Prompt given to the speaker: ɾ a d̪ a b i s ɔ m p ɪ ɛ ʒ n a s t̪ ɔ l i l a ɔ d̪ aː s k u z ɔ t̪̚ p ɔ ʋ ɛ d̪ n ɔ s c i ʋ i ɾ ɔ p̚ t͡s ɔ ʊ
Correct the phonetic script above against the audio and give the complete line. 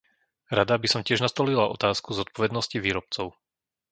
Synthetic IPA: ɾ a d̪ a b i s ɔ m c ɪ ɛ ʒ n a s t̪ ɔ l i l a ɔ t̪ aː s k u z ɔ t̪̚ p ɔ ʋ ɛ d̪ n ɔ s c i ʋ iː ɾ ɔ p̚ t͡s ɔ ʊ